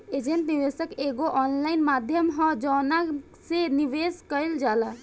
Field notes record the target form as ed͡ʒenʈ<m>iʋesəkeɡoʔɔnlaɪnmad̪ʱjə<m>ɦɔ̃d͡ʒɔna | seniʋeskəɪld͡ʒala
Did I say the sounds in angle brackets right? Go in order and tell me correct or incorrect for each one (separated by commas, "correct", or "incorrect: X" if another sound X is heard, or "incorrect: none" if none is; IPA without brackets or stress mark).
incorrect: n, correct